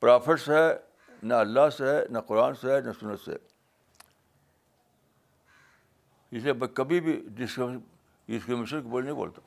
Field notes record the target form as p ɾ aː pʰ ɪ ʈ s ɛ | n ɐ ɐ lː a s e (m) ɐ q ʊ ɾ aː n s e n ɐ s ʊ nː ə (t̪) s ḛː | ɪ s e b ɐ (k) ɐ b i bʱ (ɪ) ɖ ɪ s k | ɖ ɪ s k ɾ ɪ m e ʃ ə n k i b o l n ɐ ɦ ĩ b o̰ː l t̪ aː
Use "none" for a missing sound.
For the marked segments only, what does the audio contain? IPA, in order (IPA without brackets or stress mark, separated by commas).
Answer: n, t̪, k, i